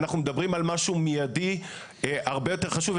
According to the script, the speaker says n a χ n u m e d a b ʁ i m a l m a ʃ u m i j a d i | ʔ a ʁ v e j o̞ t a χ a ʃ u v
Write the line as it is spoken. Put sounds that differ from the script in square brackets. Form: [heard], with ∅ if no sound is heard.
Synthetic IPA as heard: n a χ n u m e d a b ʁ i m a l m a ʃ u m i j a d i | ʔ a ʁ [b] e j o̞ t [e] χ a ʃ u v